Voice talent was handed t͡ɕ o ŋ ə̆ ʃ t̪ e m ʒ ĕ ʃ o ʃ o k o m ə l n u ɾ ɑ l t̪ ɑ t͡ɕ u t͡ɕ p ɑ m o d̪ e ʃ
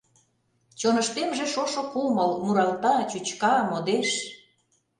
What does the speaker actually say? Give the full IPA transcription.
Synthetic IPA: t͡ɕ o n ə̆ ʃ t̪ e m ʒ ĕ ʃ o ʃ o k u m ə l m u ɾ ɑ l t̪ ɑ t͡ɕ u t͡ɕ k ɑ m o d̪ e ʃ